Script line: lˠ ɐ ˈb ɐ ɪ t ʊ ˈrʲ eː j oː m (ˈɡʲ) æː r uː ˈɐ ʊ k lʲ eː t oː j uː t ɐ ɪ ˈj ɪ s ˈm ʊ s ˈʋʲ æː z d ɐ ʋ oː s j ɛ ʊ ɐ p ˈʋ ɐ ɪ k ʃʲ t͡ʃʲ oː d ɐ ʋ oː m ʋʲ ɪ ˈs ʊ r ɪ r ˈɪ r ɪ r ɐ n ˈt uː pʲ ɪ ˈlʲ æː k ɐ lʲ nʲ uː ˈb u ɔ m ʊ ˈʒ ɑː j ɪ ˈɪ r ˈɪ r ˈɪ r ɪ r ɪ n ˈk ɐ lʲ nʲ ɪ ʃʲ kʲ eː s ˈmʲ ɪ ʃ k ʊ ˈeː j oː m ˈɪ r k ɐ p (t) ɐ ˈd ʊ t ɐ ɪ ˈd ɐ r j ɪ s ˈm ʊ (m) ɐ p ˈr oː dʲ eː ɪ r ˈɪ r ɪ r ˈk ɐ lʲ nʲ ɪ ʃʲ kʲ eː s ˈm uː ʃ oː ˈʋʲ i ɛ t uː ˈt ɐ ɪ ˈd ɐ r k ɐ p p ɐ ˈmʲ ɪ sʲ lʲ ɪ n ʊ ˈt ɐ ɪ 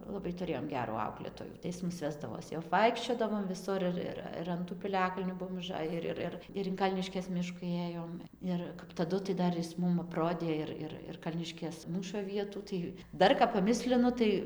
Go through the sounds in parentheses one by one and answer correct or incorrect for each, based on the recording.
correct, correct, correct

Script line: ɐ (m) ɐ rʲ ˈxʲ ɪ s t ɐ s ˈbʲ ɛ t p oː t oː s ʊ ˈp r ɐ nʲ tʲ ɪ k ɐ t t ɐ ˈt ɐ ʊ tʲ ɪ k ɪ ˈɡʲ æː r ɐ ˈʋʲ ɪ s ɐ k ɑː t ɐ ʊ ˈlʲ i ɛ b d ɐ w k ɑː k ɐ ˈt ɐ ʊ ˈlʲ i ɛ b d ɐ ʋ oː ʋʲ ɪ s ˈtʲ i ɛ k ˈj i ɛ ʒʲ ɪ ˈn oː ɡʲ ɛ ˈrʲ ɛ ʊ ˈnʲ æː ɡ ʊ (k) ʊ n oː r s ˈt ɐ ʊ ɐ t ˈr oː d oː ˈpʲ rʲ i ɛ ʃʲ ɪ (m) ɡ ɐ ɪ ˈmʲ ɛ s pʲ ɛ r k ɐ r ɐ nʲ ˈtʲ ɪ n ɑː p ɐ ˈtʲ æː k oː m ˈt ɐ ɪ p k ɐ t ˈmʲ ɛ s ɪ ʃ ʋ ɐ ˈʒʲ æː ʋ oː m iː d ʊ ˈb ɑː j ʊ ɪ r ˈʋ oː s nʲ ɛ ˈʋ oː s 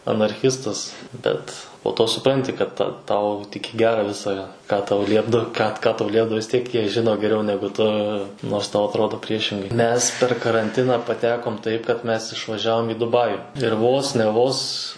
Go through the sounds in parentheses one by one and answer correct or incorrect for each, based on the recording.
incorrect: n, incorrect: t, incorrect: ŋ

